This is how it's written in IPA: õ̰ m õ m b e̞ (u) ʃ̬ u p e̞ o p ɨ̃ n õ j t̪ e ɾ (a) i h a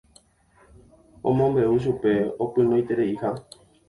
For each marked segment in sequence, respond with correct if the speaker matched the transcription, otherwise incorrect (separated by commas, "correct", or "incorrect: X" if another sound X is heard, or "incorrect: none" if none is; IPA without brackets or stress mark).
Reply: correct, incorrect: e